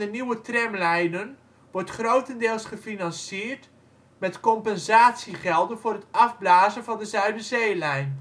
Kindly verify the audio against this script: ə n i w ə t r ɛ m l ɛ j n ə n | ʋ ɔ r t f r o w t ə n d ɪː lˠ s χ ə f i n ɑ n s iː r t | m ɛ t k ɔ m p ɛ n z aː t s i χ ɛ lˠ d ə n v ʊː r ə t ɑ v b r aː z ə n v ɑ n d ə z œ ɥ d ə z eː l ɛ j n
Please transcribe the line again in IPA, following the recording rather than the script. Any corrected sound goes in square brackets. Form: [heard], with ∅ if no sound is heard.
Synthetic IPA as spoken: ə n i w ə t r ɛ m l ɛ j n ə n | ʋ ɔ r t [χ] r o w t ə n d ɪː lˠ s χ ə f i n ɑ n s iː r t | m ɛ t k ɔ m p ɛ n z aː t s i χ ɛ lˠ d ə n v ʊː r ə t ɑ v b [l] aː z ə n v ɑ n d ə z œ ɥ d ə z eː l ɛ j n